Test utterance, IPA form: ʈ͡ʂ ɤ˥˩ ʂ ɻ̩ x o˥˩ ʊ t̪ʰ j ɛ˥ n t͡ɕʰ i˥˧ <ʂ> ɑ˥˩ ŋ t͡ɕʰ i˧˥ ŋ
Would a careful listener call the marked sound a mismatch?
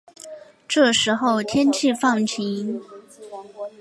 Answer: yes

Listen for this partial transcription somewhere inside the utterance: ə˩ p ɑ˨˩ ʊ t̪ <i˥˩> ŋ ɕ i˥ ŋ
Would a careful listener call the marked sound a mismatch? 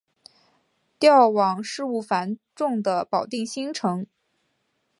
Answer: no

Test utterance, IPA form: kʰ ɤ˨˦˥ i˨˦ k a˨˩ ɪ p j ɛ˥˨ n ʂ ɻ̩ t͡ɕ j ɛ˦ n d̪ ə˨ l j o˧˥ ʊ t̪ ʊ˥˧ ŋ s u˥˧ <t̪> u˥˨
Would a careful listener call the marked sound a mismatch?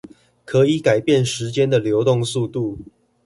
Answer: no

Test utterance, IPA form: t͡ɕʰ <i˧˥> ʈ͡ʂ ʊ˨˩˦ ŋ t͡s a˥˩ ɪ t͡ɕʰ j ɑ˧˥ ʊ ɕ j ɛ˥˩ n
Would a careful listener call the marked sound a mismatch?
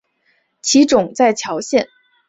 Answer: no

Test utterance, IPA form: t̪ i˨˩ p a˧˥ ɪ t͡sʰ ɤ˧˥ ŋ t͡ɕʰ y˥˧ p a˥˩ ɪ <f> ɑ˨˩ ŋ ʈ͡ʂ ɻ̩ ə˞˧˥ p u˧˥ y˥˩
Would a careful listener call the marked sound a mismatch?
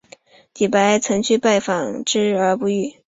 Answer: no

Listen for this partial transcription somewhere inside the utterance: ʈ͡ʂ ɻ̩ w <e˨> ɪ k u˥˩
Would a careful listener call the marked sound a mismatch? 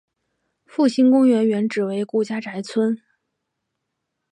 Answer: yes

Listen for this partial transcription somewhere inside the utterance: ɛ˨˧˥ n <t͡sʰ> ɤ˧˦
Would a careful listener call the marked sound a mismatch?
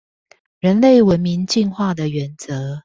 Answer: yes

